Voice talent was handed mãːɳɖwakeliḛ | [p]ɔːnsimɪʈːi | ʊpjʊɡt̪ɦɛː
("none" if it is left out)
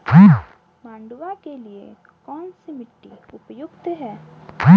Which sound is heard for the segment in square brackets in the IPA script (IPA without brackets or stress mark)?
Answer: k